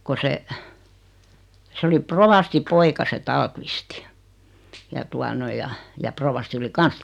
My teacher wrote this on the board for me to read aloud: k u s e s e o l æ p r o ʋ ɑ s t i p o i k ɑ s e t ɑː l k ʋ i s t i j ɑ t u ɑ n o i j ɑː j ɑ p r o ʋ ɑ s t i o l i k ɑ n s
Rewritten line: k o s e s e o l i p r o ʋ ɑ s t i p o i k ɑ s e t ɑː l k ʋ i s t i j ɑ t u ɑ n o i j ɑ j ɑ p r o ʋ ɑ s t i o l i k ɑ n s